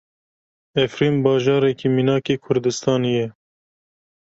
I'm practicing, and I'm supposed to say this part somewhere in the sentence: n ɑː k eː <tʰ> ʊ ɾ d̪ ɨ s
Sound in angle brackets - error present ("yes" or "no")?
yes